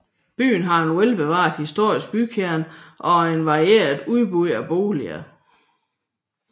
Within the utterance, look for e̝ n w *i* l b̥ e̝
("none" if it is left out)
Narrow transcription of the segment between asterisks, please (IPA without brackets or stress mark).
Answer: e